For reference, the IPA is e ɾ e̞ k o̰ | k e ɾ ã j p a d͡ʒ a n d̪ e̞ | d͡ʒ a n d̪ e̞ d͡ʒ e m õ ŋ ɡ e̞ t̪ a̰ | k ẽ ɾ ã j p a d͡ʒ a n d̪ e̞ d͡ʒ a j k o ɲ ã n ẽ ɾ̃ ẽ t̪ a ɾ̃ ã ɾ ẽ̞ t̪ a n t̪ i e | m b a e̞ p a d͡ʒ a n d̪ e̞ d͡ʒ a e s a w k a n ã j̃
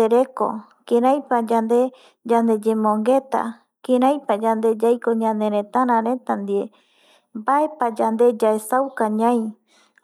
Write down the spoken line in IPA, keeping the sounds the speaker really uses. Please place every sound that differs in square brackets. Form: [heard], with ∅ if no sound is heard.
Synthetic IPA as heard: e ɾ e̞ k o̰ | k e ɾ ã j p a d͡ʒ a n d̪ e̞ | d͡ʒ a n d̪ e̞ d͡ʒ e m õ ŋ ɡ e̞ t̪ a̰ | k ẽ ɾ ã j p a d͡ʒ a n d̪ e̞ d͡ʒ a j k o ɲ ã n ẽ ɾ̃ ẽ t̪ a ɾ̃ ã ɾ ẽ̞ t̪ a n [d̪] i e | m b a e̞ p a d͡ʒ a n d̪ e̞ d͡ʒ a e s a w k a [ɲ] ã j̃